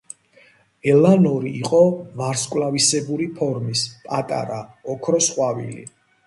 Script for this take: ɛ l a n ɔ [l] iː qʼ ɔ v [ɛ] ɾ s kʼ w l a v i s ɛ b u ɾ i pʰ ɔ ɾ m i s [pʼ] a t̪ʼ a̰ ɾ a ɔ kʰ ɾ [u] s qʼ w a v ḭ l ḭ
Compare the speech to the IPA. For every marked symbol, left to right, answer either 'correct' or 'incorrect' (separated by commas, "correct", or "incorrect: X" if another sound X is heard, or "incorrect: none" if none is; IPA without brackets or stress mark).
incorrect: ɾ, incorrect: a, correct, incorrect: ɔ